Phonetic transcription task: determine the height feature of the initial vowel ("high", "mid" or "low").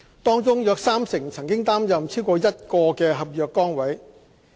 mid